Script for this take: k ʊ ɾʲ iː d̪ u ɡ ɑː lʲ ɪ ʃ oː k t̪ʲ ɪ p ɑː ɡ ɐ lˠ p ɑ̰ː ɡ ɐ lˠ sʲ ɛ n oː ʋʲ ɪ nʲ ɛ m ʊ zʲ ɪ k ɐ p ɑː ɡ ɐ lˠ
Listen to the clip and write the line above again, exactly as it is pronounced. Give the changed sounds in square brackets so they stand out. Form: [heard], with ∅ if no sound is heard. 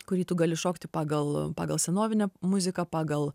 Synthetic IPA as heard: k ʊ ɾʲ iː [t̪] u ɡ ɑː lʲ ɪ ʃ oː k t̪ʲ ɪ p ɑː ɡ ɐ lˠ p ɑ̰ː ɡ ɐ lˠ sʲ ɛ n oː ʋʲ ɪ nʲ ɛ m ʊ zʲ ɪ k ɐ p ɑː ɡ ɐ lˠ